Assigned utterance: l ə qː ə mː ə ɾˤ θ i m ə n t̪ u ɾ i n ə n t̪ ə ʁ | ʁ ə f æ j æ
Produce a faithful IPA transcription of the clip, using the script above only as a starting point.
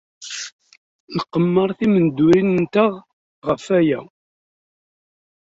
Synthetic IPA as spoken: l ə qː ə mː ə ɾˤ θ i m ə n d̪ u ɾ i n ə n t̪ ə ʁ | ʁ ə f æ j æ